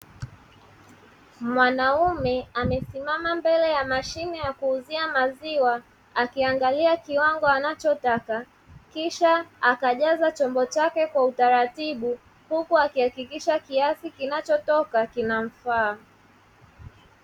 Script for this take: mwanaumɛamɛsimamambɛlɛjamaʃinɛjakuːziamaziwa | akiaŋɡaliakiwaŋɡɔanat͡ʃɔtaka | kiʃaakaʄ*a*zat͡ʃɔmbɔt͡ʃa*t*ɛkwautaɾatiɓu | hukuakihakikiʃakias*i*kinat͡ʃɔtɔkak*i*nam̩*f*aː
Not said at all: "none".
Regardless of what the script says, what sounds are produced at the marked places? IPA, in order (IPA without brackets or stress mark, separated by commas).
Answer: a, k, i, i, f